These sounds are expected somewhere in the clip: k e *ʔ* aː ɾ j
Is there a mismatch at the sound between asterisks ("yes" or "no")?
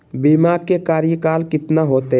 yes